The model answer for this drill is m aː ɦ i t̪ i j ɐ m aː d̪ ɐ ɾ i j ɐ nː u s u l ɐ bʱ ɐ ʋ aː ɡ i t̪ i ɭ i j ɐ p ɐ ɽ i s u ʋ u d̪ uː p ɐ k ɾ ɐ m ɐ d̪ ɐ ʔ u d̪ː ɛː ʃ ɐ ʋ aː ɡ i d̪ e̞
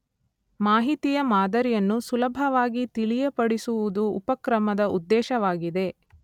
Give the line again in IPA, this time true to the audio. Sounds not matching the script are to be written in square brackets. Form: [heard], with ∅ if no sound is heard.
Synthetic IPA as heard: m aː ɦ i t̪ i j ɐ m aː d̪ ɐ ɾ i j ɐ nː u s u l ɐ bʱ ɐ ʋ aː ɡ i t̪ i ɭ i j ɐ p ɐ ɽ i s u ʋ u d̪ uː p ɐ k ɾ ɐ m ɐ d̪ ɐ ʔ u d̪ː ɛː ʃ ɐ ʋ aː ɡ i d̪ e̞